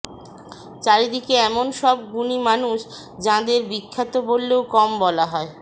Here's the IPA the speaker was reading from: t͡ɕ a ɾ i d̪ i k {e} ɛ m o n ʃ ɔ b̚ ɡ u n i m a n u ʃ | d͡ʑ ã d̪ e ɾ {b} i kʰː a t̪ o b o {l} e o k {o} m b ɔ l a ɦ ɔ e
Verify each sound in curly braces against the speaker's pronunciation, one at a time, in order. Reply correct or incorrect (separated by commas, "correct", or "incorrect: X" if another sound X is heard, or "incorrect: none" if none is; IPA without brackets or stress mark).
correct, correct, incorrect: lː, incorrect: ɔ